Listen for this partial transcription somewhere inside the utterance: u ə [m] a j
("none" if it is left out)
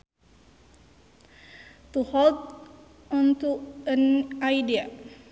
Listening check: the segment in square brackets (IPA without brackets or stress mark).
n